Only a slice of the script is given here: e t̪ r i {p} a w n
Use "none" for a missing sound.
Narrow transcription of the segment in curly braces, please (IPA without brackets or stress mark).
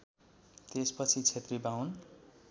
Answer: b